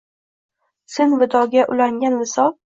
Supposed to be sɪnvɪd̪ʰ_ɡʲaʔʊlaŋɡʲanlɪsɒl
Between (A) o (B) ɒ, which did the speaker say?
B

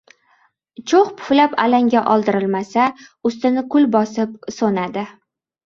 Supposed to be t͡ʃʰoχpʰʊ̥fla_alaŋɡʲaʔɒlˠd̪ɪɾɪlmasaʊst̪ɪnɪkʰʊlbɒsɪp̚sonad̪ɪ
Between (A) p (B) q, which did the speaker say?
A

